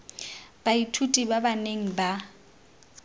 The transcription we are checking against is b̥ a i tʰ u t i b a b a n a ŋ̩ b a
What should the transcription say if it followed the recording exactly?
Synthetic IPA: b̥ a i tʰ u tʼ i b a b a n e ŋ̩ b a